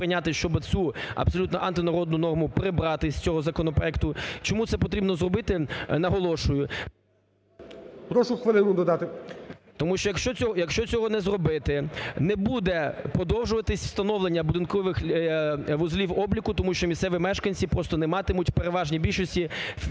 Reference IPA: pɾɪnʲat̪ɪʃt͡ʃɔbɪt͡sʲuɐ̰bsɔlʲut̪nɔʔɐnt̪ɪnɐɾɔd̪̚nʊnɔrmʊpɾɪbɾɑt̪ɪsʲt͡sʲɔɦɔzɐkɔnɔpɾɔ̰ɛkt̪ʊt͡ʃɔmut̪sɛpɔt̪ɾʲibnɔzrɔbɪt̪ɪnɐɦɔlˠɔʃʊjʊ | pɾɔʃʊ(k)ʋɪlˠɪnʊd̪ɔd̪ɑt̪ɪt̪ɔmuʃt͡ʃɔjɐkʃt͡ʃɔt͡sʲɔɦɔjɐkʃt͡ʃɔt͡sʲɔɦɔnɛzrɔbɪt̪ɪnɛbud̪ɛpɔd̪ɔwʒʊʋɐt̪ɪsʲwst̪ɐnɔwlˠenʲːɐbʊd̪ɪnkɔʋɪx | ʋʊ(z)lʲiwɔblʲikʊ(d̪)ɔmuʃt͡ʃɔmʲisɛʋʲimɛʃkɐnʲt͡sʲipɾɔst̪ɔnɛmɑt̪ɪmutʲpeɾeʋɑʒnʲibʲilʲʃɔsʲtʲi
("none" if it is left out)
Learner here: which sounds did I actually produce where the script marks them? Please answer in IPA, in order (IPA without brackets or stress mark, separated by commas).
x, z, t̪